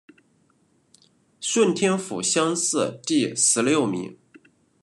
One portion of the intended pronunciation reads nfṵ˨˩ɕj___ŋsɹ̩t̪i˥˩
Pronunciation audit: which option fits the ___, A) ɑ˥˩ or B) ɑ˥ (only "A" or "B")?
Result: B